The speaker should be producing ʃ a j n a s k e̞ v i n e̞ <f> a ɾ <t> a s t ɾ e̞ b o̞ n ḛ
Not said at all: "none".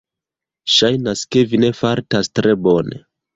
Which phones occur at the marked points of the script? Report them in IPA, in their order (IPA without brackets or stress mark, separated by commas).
f, t